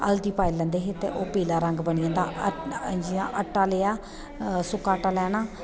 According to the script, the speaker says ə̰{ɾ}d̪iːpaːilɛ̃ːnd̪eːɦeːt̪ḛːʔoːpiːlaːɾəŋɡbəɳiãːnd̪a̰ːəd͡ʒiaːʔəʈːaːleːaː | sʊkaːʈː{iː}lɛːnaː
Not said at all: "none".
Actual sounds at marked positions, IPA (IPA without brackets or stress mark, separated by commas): l, aː